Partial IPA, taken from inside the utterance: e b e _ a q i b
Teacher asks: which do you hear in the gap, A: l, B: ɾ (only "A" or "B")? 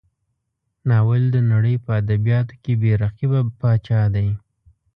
B